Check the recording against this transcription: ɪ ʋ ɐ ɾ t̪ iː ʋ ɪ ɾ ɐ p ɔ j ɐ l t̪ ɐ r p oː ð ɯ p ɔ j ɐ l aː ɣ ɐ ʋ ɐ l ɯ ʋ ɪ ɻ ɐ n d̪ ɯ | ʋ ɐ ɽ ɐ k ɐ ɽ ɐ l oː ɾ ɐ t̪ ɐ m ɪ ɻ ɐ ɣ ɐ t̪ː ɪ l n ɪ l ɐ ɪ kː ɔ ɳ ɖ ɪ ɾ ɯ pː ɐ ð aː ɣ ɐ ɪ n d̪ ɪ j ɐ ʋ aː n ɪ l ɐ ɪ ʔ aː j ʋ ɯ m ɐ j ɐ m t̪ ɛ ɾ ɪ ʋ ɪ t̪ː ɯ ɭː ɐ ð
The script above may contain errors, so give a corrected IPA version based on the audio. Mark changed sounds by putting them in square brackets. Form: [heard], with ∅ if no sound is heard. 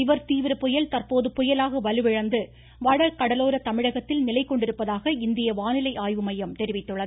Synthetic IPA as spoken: ɪ ʋ ɐ ɾ t̪ iː ʋ ɪ ɾ ɐ p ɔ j ɐ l t̪ ɐ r p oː ð ɯ p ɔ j ɐ l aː ɣ ɐ ʋ ɐ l ɯ ʋ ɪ ɻ ɐ n d̪ ɯ | ʋ ɐ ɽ ɐ k ɐ ɽ ɐ l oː ɾ ɐ t̪ ɐ m ɪ ɻ ɐ ɣ ɐ t̪ː ɪ l n ɪ l ɐ ɪ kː ɔ ɳ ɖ ɪ ɾ ɯ pː ɐ ð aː ɣ ɐ ɪ n d̪ ɪ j ɐ ʋ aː n ɪ l ɐ ɪ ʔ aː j ʋ ɯ m ɐ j ɐ m t̪ ɛ ɾ ɪ ʋ ɪ t̪ː ɯ ɭː ɐ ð